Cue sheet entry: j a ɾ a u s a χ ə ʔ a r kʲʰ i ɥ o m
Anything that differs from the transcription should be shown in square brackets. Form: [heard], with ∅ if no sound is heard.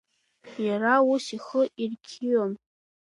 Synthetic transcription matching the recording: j a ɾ a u s [i] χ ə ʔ [i] r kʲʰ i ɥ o m